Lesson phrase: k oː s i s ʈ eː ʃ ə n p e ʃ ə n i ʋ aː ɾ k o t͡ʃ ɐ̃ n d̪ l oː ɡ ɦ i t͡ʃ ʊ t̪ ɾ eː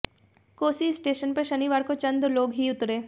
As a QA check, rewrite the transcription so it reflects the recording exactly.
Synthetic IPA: k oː s i s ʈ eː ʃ ə n p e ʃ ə n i ʋ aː ɾ k o t͡ʃ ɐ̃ n d̪ l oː ɡ ɦ i ʊ t̪ ɾ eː